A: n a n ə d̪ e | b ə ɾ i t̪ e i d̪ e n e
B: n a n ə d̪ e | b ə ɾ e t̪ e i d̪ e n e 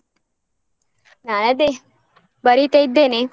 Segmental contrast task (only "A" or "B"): A